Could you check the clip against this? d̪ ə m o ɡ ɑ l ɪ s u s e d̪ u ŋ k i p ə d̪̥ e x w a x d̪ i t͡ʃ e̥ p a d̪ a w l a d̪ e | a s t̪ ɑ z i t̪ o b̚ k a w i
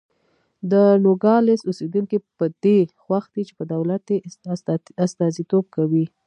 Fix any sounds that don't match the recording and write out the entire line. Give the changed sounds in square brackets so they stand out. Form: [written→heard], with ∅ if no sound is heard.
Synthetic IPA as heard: d̪ ə [m→n] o ɡ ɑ l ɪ s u s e d̪ u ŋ k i p ə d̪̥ e x w a x d̪ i t͡ʃ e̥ p [a→ə] d̪ a w l a [d̪→t̪] e | a s t̪ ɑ z i t̪ o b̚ k a w i